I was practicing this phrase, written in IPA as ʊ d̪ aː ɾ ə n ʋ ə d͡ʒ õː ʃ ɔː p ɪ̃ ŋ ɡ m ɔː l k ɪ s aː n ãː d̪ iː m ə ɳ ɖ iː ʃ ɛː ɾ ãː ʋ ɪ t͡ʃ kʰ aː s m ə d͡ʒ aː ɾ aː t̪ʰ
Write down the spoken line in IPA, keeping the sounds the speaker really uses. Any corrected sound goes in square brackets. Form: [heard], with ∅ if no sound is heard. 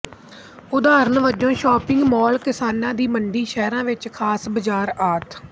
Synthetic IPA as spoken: ʊ d̪ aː ɾ ə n ʋ ə d͡ʒ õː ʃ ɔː p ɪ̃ ŋ ɡ m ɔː l k ɪ s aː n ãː d̪ iː m ə ɳ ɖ iː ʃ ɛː ɾ ãː ʋ ɪ t͡ʃ kʰ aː s [b] ə d͡ʒ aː ɾ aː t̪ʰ